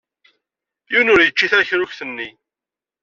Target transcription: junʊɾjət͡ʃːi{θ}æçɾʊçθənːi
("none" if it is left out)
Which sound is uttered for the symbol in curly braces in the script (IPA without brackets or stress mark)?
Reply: θ